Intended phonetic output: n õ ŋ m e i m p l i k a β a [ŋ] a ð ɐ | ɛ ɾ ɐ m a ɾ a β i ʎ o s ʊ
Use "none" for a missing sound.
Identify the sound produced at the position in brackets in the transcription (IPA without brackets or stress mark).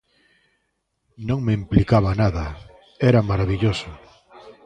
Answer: n